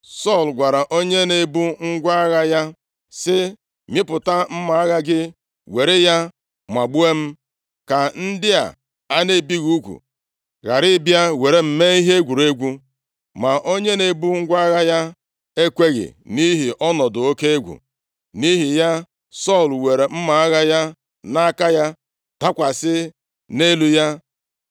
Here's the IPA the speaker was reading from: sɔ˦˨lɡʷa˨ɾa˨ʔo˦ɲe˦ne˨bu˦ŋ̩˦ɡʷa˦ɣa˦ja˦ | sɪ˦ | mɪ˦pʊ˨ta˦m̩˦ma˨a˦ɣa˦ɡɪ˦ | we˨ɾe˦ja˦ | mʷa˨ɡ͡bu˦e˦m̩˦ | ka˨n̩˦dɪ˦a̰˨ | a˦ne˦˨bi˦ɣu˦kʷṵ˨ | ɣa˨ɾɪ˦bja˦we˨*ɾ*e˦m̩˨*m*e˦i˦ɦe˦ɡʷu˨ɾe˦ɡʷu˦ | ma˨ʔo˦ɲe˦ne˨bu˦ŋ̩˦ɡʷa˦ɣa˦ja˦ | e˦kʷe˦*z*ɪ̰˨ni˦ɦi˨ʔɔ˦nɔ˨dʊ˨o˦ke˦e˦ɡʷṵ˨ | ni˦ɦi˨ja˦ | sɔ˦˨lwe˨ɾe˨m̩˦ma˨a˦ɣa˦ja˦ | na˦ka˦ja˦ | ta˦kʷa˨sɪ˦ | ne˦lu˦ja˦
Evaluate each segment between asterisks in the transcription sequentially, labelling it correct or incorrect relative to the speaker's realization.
correct, correct, incorrect: ɣ

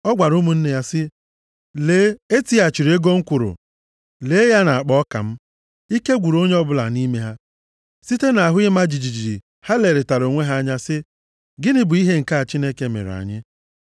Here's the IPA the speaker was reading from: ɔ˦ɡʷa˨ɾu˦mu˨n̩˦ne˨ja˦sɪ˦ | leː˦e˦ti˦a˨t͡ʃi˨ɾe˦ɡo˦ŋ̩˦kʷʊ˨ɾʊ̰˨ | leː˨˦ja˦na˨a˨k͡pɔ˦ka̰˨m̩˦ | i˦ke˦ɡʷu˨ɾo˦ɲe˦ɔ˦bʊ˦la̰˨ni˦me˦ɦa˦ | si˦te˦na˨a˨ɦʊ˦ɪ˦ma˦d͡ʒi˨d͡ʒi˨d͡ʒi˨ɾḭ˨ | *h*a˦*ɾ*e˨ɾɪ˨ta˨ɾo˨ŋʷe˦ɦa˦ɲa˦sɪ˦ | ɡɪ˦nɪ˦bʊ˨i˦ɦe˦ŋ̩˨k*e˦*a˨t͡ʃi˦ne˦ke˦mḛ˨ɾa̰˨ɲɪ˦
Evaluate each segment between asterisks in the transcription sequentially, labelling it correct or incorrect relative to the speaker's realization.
correct, incorrect: l, incorrect: a˦

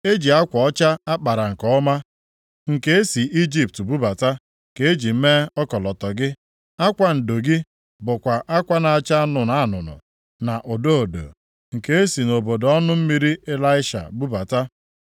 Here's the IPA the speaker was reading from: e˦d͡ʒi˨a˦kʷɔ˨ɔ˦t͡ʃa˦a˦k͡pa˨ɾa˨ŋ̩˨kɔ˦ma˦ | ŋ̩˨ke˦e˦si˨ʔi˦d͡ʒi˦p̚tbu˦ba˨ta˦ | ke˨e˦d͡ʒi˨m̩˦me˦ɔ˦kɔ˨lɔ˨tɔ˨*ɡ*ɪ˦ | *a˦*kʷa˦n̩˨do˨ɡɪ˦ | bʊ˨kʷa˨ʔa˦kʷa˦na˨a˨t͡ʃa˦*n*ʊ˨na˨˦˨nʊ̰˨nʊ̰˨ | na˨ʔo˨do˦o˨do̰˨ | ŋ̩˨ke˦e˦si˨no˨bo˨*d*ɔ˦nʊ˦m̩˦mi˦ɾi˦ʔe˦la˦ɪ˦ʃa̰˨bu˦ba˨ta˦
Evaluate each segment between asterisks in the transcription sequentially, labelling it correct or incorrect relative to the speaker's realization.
correct, correct, correct, correct

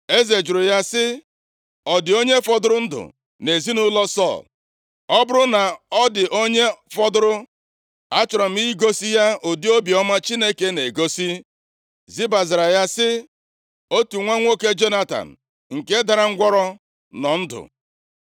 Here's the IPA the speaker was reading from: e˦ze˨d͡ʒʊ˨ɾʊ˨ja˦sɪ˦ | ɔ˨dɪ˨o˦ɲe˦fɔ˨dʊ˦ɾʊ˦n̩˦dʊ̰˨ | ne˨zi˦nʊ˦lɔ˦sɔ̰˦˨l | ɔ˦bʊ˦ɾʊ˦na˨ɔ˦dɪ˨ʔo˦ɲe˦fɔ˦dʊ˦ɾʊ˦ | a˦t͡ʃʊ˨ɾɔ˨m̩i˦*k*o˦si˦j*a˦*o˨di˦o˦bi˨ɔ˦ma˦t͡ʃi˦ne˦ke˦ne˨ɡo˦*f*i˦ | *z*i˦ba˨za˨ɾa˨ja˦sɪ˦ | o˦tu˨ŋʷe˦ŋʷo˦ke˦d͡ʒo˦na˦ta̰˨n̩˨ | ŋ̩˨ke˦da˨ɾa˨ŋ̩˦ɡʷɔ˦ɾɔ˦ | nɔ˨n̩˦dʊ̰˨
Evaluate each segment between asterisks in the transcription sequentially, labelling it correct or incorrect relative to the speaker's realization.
incorrect: ɡ, correct, incorrect: s, correct

